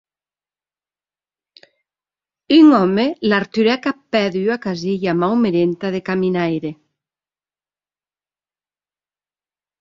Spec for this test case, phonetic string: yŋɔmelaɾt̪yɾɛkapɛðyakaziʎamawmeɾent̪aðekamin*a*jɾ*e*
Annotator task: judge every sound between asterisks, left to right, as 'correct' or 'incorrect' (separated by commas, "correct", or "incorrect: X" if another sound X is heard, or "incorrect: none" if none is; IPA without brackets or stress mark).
correct, correct